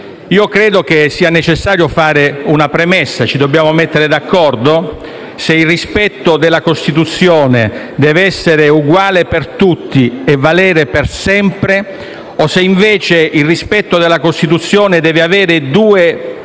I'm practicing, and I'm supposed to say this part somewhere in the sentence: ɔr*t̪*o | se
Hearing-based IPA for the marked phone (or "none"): d̪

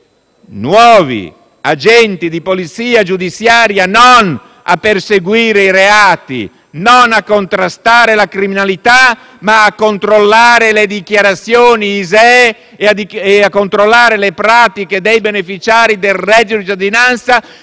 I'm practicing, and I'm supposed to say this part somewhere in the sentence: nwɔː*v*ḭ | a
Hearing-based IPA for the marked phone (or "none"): v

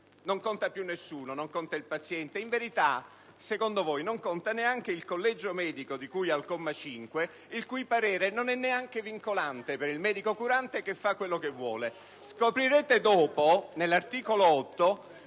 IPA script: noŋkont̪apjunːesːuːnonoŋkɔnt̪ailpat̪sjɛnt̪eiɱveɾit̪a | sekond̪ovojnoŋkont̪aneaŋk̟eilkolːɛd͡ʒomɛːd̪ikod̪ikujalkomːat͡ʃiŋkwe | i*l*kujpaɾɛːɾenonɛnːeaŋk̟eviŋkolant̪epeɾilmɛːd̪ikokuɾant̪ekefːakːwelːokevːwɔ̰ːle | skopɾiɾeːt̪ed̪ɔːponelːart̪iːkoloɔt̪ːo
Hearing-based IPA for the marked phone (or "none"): l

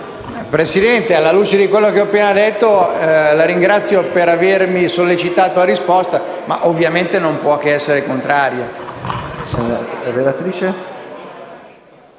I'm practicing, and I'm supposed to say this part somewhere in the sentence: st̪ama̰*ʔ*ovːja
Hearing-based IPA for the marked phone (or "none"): ʔ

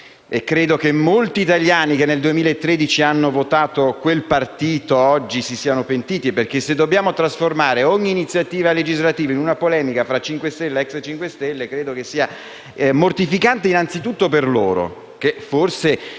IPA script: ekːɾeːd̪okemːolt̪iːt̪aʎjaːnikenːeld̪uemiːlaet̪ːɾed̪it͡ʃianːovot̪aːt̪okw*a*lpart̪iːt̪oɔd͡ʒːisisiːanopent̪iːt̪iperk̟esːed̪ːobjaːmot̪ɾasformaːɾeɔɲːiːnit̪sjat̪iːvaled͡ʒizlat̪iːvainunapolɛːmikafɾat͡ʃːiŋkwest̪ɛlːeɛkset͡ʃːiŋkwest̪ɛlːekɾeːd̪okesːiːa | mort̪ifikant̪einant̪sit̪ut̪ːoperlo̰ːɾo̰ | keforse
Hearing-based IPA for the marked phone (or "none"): e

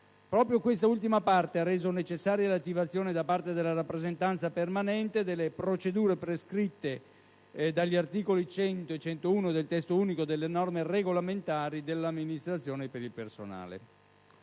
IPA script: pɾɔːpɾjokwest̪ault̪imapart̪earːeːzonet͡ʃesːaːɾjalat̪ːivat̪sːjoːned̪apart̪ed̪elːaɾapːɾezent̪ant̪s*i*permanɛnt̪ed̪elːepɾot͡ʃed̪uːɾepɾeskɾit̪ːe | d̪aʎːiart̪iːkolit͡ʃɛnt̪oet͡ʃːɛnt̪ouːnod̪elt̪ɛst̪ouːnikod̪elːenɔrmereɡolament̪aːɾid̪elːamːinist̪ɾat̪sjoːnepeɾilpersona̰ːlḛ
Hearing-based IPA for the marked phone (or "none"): a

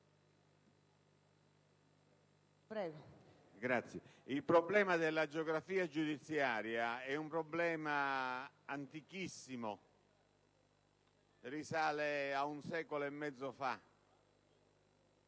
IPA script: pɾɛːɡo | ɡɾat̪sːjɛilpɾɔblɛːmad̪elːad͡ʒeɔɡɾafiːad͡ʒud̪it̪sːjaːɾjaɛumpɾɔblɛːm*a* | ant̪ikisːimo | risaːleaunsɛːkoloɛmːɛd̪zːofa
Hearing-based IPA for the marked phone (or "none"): a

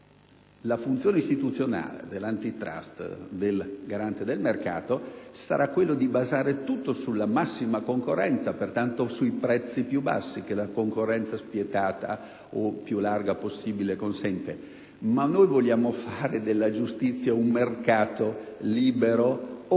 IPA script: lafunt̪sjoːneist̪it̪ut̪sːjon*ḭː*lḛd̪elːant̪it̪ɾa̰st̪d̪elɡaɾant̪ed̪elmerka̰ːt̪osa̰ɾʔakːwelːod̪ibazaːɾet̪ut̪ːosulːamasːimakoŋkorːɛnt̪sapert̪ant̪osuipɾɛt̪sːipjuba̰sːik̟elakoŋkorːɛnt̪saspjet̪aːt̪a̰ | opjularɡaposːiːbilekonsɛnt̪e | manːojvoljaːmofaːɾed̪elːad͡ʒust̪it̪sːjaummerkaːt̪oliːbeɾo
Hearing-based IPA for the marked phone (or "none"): a̰ː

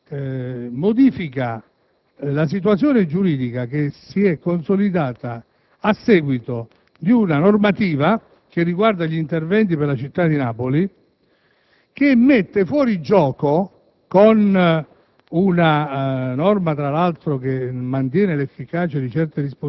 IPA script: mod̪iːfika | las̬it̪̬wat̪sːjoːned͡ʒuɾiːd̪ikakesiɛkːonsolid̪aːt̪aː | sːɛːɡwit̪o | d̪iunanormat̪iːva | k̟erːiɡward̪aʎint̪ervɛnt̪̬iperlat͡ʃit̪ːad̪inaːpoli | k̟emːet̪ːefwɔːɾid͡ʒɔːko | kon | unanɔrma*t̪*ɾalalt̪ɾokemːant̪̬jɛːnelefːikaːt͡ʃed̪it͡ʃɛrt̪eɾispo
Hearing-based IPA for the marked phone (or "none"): t̪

